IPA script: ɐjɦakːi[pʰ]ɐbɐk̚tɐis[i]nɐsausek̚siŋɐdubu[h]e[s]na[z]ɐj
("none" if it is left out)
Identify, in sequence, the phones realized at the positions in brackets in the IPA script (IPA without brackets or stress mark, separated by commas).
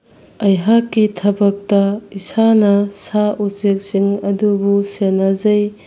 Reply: tʰ, a, s, none, z